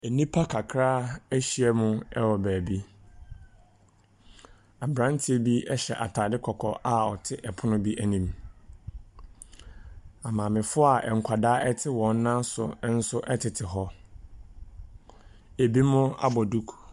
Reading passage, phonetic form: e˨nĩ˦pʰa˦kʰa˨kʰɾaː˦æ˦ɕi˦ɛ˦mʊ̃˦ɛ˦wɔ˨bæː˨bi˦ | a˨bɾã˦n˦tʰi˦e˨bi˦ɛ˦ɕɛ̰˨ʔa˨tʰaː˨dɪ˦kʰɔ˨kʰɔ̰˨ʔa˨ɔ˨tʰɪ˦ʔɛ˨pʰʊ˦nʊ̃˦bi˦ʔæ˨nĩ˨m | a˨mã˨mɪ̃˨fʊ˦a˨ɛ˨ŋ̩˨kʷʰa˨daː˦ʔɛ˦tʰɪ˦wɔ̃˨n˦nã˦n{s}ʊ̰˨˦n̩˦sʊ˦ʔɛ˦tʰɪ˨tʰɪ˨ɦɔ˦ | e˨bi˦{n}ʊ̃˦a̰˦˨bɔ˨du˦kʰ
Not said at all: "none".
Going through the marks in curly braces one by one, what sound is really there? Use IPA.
s, m

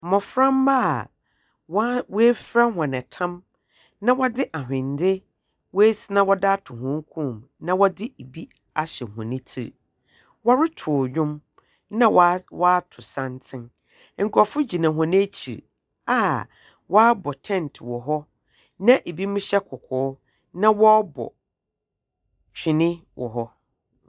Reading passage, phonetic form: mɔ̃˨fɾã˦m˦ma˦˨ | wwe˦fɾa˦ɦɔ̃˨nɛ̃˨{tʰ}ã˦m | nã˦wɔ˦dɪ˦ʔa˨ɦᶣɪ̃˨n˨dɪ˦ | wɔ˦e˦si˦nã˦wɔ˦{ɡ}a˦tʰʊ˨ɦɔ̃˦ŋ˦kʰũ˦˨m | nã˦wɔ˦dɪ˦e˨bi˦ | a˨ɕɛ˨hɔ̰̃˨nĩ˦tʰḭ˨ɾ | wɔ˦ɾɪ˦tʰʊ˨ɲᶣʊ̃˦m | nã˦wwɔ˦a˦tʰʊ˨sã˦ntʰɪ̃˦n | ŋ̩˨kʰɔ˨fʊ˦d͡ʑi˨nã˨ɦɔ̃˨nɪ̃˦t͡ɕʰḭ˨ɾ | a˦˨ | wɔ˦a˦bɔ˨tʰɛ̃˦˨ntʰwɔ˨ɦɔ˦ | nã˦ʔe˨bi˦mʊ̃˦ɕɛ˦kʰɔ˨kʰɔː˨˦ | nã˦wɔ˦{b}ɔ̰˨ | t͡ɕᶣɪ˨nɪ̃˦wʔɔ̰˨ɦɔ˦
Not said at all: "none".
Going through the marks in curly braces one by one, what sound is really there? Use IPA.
tʰ, d, b

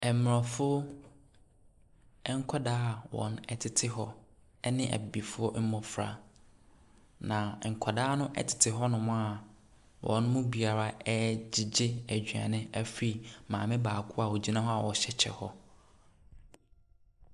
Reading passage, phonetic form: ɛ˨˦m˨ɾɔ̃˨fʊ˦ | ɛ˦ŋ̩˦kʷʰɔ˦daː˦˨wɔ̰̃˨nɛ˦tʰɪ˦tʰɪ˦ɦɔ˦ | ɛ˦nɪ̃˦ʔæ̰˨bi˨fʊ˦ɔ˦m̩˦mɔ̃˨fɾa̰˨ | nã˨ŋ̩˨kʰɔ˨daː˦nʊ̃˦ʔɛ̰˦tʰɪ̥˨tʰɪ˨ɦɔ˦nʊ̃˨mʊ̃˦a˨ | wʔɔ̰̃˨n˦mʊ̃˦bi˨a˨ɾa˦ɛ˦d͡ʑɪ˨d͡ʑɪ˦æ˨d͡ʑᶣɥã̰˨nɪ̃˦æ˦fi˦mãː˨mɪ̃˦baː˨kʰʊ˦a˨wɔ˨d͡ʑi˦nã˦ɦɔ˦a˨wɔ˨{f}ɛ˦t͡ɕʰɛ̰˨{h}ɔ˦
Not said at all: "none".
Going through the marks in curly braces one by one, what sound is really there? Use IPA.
ɕ, h

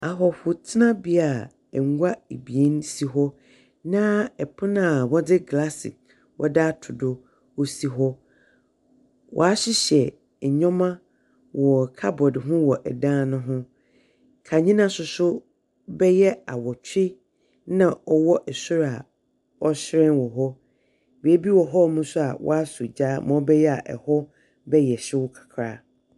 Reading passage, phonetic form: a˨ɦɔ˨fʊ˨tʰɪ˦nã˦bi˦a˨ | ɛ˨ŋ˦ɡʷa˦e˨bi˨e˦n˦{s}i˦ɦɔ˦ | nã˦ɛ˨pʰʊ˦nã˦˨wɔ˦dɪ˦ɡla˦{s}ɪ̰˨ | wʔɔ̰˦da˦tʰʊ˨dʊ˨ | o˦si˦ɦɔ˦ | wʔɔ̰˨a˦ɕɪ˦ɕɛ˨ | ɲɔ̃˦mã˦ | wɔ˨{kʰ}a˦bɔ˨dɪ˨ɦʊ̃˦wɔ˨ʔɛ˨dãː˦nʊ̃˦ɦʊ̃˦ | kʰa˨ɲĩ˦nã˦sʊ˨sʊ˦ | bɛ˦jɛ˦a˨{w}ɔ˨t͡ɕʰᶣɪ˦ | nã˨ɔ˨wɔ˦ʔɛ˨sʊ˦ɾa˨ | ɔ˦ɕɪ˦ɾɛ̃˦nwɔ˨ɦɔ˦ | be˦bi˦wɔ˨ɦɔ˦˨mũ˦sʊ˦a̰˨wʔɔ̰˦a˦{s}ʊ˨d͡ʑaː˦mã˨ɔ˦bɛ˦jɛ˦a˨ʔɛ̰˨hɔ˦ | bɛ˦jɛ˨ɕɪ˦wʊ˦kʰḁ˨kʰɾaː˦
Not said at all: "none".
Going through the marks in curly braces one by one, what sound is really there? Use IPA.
s, s, kʰ, w, s

